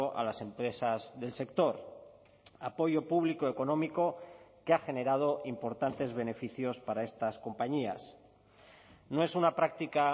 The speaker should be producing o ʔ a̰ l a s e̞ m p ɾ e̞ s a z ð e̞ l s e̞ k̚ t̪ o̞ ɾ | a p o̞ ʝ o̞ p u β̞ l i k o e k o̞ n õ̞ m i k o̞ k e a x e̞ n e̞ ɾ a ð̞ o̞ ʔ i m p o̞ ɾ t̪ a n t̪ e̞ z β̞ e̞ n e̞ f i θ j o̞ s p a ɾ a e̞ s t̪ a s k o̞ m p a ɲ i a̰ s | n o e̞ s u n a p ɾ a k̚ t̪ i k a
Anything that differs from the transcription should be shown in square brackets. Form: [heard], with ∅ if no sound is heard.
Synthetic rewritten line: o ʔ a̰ l a s e̞ m p ɾ e̞ s a z ð e̞ l s e̞ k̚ t̪ o̞ ɾ | a p o̞ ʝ o̞ p u β̞ l i k o e k o̞ n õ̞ m i k o̞ k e a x e̞ n e̞ ɾ a ð̞ o̞ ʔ i m p o̞ ɾ t̪ a n t̪ e̞ z β̞ e̞ n e̞ f i θ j o̞ s p a ɾ a e̞ s t̪ a s k o̞ m p a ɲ i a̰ s | n o e̞ s u n a p ɾ a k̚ t̪ i k a